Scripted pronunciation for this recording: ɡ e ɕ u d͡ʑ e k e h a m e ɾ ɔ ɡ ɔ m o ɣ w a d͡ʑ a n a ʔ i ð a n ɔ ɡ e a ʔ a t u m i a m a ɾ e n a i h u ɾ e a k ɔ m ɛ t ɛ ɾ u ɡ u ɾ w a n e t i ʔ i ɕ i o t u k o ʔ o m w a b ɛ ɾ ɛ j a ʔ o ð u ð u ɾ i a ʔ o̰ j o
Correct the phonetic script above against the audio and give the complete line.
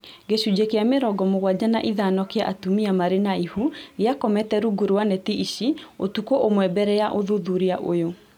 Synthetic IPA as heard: ɡ e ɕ u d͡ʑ e k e a m e ɾ ɔ ɡ ɔ m o ɣ w a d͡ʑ a n a ʔ i ð a n ɔ k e a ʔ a t u m i a m a ɾ e n a i h u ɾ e a k ɔ m ɛ t ɛ ɾ u ɡ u ɾ w a n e t i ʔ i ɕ i o t u k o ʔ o m w ɛ b ɛ ɾ ɛ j a ʔ o ð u ð u ɾ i a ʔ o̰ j o

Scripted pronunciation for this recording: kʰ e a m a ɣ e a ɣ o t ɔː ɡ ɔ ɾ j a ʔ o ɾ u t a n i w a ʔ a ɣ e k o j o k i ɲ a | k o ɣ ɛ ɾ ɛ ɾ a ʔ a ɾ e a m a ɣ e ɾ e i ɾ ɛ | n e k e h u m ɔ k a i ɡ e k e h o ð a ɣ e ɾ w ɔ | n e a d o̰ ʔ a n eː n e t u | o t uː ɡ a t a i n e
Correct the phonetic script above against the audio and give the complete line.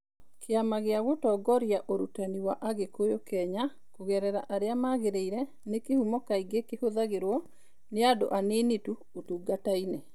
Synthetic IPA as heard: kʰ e a m a ɣ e a ɣ o t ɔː ɡ ɔ ɾ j a ʔ o ɾ u t a n i w a ʔ a ɣ e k o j o k ɛ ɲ a | k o ɣ ɛ ɾ ɛ ɾ a ʔ a ɾ e a m a ɣ e ɾ e i ɾ ɛ | n e k e h u m ɔ k a i ɡ e k e h o ð a ɣ e ɾ w ɔ | n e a d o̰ ʔ a n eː n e t u | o t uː ɡ a t a i n e

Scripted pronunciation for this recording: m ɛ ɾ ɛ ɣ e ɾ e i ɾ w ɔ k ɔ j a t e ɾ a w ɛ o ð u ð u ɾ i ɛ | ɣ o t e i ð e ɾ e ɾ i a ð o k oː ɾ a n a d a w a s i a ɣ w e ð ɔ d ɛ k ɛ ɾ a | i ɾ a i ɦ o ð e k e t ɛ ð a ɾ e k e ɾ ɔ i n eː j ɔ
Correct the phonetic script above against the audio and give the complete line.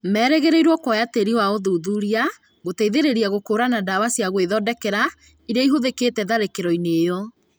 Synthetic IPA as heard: m ɛ ɾ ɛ ɣ e ɾ e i ɾ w ɔ k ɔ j a t e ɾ i w a o ð u ð u ɾ i a | ɣ o t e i ð e ɾ e ɾ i a ɣ o k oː ɾ a n a d a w a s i a ɣ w e ð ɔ d ɛ k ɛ ɾ a | i ɾ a i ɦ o ð e k e t ɛ ð a ɾ e k e ɾ ɔ i n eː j ɔ

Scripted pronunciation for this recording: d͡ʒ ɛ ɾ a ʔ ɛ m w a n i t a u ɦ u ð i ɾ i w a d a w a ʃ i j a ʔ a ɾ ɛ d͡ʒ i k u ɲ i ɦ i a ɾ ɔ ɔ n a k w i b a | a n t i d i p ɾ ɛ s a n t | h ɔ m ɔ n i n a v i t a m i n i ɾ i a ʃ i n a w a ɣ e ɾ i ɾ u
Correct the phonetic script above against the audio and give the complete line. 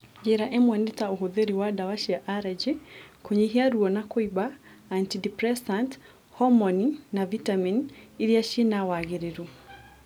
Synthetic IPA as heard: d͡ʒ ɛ ɾ a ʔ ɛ m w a n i t a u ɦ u ð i ɾ i w a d a w a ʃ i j a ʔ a ɾ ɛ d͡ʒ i k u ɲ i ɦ i a ɾ u ɔ n a k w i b a | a n t i d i p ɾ ɛ s a n t | h ɔ m ɔ n i n a v i t a m i n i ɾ i a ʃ i n a w a ɣ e ɾ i ɾ u

